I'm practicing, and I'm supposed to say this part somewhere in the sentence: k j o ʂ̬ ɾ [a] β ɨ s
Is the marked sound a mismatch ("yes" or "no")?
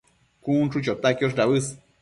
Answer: no